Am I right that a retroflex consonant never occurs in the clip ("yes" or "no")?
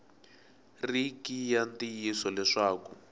no